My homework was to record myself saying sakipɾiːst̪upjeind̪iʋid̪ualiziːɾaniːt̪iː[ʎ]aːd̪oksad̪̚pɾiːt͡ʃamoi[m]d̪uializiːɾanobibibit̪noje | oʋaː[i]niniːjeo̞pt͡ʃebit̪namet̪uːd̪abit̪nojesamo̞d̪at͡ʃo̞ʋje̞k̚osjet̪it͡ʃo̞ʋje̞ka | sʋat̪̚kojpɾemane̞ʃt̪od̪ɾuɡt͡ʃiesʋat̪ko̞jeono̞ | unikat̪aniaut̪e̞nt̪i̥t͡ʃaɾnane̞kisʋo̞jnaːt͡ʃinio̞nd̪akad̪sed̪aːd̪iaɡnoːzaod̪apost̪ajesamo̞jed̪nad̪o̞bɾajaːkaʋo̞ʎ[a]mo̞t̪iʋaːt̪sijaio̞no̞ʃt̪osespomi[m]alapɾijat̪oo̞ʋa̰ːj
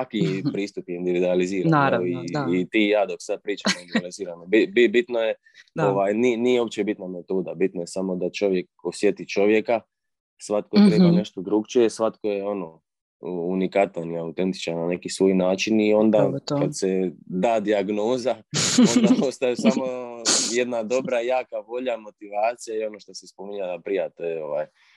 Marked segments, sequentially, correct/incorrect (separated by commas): incorrect, incorrect, incorrect, correct, incorrect